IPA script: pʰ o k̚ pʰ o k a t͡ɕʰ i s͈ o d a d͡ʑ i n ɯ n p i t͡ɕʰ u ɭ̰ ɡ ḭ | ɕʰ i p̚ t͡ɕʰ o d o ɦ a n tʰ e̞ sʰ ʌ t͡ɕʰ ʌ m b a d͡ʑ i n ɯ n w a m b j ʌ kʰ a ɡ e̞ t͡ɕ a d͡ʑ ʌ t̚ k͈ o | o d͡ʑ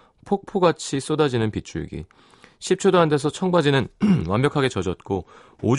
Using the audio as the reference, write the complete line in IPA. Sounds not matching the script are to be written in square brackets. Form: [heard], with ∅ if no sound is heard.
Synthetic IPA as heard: pʰ o k̚ pʰ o [ɡ] a t͡ɕʰ i s͈ o d a d͡ʑ i n ɯ n p i t͡ɕʰ u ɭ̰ ɡ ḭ | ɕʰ i p̚ t͡ɕʰ o d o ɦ a n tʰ e̞ sʰ ʌ t͡ɕʰ ʌ [ŋ] b a d͡ʑ i n ɯ n w a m b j ʌ kʰ a ɡ e̞ t͡ɕ [ʌ] d͡ʑ ʌ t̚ k͈ o | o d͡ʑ